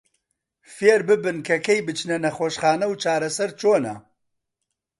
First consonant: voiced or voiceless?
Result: voiceless